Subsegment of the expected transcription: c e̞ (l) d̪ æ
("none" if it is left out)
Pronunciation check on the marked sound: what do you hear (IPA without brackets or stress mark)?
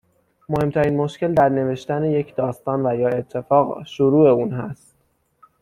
l